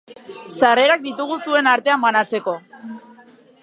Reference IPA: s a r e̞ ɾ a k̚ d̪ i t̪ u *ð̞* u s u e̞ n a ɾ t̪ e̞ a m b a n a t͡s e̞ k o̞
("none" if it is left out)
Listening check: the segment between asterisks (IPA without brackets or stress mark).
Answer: ɣ̞